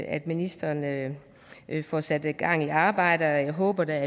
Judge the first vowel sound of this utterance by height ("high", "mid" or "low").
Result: low